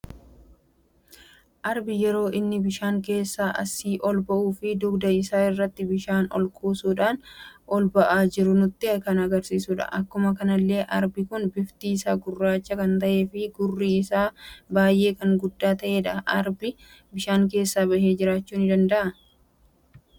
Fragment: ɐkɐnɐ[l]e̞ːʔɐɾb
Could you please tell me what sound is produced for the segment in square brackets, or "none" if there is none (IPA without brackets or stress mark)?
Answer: lː